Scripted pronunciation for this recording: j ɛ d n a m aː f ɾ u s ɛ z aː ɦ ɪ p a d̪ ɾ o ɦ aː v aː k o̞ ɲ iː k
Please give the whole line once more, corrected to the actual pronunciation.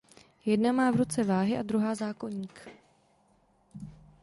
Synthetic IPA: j ɛ d n a m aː v ɾ u t͡s ɛ v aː ɦ ɪ ʔ a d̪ ɾ u ɦ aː z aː k o̞ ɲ iː k